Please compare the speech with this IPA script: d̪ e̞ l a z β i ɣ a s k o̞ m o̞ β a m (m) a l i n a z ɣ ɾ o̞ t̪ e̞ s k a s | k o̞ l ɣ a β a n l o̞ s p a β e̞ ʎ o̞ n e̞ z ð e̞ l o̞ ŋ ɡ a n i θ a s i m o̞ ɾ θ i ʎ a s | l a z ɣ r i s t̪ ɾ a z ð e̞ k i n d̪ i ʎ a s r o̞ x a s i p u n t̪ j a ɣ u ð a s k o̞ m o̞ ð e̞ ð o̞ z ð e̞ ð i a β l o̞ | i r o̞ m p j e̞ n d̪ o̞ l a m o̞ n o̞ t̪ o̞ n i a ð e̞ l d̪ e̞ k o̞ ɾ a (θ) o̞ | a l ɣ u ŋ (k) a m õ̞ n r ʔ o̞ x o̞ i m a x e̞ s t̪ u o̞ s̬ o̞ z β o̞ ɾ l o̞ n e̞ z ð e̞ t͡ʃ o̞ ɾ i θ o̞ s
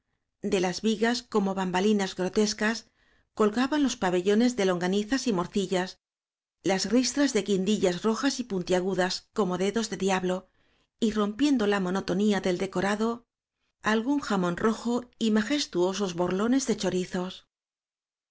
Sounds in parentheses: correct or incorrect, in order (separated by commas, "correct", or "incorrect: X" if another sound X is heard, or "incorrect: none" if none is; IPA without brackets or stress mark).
incorrect: b, incorrect: ð, incorrect: x